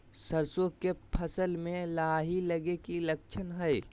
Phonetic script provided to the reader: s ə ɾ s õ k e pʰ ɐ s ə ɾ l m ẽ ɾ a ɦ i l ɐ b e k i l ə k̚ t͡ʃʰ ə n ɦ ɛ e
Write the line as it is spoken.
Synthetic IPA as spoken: s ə ɾ s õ k e pʰ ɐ s ə l m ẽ l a ɦ i l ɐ ɡ e k i l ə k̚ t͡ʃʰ ə n ɦ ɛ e